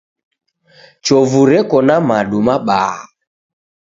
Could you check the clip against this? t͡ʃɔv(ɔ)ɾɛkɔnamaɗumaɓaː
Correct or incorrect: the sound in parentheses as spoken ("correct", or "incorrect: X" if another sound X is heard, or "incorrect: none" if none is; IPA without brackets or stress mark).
incorrect: u